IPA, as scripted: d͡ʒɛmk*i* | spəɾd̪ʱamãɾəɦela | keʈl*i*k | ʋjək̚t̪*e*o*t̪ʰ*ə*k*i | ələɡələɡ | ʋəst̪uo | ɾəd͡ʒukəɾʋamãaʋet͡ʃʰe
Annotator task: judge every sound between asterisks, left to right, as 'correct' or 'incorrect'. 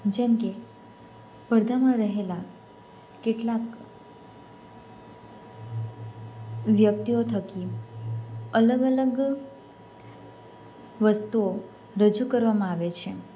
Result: incorrect, incorrect, incorrect, correct, correct

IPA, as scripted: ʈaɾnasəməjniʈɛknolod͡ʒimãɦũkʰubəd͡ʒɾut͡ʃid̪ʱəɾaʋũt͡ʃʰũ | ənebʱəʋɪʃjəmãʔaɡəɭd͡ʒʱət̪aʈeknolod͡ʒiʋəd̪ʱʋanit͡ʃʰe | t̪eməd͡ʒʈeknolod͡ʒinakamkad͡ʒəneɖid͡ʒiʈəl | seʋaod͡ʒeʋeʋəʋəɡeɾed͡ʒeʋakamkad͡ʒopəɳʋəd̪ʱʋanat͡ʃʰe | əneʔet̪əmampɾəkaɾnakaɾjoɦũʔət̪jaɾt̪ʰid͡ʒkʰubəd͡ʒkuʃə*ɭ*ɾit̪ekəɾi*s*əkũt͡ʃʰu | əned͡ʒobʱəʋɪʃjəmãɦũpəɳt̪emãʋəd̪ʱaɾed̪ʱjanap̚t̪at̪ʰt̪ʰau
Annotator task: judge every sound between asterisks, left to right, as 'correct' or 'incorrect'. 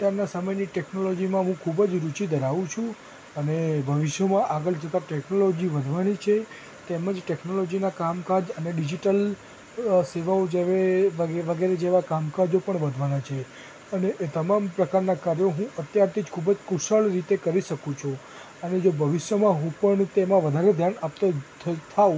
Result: correct, incorrect

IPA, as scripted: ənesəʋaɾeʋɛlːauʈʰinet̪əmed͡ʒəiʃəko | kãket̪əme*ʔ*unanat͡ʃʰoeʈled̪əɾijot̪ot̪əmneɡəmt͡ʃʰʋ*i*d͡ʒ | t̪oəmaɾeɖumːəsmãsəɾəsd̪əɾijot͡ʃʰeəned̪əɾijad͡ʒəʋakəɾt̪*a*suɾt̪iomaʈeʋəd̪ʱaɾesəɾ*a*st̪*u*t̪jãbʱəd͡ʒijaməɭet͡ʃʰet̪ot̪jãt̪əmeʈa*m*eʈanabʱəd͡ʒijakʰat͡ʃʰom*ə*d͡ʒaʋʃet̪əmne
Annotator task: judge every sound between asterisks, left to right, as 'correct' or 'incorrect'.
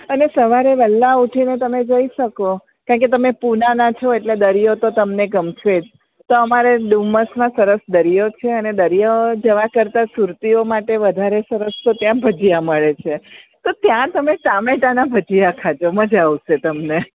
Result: incorrect, incorrect, correct, incorrect, incorrect, correct, correct

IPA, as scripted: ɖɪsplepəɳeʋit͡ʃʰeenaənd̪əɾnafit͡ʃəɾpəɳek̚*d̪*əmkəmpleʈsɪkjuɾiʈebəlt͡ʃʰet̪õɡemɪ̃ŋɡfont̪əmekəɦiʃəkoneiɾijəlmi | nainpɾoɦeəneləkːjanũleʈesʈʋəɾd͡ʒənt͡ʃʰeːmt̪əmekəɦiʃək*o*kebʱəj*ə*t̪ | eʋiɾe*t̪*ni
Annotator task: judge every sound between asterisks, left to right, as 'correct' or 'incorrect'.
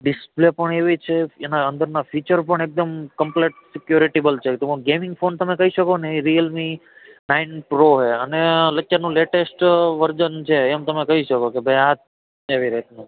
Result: correct, correct, incorrect, correct

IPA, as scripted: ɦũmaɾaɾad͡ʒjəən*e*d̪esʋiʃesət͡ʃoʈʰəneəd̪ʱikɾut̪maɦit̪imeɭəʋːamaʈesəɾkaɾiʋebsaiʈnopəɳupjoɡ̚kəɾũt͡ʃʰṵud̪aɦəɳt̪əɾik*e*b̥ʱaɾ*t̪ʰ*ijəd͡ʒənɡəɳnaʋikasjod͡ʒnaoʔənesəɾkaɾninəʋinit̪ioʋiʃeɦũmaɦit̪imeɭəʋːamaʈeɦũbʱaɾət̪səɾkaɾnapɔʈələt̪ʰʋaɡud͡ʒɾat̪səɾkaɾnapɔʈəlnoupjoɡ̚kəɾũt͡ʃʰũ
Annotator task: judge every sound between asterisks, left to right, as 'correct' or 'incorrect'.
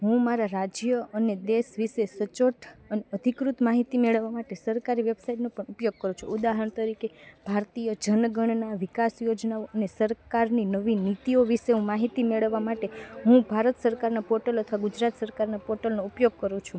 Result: correct, correct, incorrect

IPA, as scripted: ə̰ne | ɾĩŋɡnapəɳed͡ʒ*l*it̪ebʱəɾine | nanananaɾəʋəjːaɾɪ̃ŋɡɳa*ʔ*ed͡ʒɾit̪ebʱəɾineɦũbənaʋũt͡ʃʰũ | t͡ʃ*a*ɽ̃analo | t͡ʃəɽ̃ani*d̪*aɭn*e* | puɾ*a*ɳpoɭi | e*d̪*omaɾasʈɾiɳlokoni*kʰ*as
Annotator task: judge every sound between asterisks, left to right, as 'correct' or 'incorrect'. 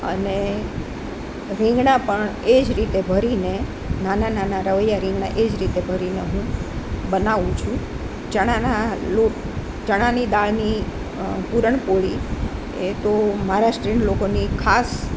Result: incorrect, correct, incorrect, correct, incorrect, incorrect, incorrect, correct

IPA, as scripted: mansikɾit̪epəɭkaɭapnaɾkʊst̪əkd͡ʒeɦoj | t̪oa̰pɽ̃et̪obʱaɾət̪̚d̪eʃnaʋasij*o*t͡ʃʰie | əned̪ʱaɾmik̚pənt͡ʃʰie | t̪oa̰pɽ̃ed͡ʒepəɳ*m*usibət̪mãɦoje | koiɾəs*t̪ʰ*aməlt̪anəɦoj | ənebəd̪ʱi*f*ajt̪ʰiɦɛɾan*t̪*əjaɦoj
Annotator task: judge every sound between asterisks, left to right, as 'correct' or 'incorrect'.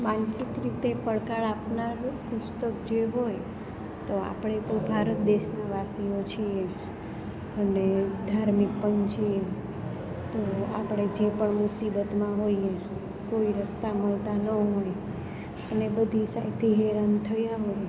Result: correct, correct, incorrect, incorrect, incorrect

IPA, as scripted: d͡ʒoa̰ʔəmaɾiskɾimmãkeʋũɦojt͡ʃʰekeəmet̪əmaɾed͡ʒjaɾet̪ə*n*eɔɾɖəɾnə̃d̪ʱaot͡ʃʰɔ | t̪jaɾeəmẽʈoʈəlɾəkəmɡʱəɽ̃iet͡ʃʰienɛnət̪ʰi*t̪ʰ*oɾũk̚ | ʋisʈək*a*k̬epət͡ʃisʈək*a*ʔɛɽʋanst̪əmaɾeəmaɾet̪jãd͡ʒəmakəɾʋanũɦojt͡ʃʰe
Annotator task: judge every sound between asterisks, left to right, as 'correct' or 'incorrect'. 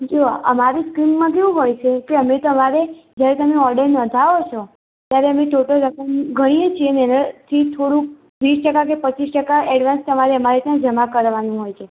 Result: incorrect, correct, correct, correct

